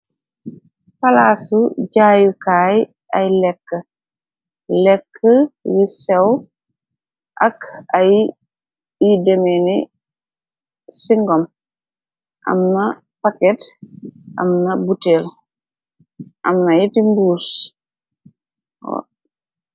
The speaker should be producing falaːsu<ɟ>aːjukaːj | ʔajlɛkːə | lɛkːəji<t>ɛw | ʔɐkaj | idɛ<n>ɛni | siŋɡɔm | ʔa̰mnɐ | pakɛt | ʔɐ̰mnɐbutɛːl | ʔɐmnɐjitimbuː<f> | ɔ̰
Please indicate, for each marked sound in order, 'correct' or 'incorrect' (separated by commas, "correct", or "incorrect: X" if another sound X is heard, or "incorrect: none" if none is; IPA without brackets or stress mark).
correct, incorrect: s, incorrect: m, incorrect: s